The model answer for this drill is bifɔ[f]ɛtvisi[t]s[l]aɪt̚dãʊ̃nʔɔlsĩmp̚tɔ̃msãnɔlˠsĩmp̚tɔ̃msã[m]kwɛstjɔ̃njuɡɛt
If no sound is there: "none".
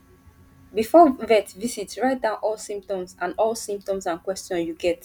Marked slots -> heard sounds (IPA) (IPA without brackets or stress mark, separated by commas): v, t, ɹ, n